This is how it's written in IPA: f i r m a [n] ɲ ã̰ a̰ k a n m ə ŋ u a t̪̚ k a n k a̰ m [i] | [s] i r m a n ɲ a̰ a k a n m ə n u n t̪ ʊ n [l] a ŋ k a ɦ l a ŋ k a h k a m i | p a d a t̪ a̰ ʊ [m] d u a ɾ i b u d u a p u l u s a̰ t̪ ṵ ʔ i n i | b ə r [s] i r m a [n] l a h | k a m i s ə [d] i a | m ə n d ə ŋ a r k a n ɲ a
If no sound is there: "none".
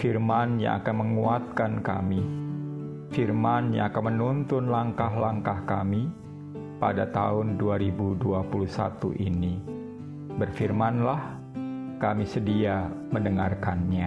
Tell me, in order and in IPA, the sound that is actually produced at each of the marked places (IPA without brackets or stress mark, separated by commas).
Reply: n, i, f, l, n, f, n, d